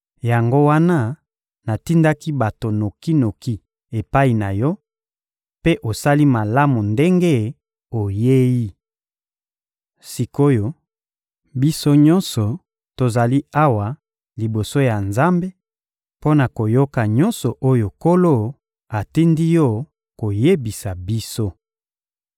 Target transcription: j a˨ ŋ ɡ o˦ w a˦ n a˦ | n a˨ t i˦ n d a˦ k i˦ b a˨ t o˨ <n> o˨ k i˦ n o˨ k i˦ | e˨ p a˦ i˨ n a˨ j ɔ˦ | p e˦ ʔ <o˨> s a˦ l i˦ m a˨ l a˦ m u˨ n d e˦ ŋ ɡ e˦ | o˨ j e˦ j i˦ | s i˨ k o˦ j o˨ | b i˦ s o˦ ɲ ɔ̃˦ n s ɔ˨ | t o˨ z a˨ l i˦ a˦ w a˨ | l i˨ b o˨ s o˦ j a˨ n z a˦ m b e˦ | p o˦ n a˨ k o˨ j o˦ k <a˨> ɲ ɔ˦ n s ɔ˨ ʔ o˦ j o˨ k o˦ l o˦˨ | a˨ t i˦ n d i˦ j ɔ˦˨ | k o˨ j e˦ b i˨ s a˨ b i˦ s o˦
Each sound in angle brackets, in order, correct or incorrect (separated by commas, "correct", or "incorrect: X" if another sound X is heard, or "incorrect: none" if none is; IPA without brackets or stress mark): correct, correct, correct